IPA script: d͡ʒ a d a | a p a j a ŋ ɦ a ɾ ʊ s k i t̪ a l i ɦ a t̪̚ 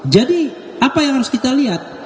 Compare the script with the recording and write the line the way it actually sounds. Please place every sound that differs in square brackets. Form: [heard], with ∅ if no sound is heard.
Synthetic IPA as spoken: d͡ʒ a d [i] | a p a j a ŋ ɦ a ɾ ʊ s k i t̪ a l i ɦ a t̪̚